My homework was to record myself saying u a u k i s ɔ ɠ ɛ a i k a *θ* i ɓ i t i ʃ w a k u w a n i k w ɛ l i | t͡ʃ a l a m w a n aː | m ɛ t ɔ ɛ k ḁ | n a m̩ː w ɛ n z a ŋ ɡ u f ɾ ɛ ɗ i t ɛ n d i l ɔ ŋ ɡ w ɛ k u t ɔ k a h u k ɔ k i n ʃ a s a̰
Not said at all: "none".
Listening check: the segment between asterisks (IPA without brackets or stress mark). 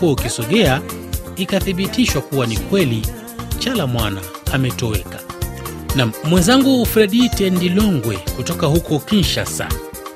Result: θ